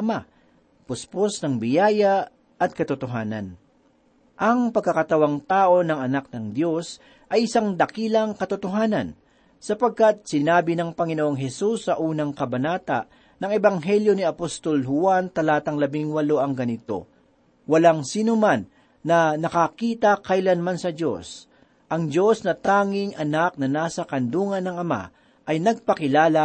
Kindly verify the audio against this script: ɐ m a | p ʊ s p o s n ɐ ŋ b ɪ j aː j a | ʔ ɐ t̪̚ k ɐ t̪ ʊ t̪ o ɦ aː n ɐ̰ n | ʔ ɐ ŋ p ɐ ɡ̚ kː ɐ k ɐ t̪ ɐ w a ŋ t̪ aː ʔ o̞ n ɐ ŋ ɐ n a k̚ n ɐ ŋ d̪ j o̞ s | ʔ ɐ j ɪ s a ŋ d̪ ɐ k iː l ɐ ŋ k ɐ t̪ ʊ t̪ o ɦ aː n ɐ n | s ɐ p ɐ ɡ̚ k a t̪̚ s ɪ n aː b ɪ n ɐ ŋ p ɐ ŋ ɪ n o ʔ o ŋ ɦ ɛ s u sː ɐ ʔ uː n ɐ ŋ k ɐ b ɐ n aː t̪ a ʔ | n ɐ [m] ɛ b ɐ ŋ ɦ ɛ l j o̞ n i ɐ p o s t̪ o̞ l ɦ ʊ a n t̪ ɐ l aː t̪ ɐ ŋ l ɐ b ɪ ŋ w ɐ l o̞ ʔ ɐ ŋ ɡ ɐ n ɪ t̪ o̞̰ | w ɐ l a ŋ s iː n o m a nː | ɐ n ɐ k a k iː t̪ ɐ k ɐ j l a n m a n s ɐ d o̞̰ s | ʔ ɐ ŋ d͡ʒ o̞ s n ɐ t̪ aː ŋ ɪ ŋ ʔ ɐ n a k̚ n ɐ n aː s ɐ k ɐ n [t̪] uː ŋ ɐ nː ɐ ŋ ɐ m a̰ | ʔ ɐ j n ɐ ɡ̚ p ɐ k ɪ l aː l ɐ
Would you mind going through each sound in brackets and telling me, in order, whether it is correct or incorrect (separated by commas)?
incorrect, incorrect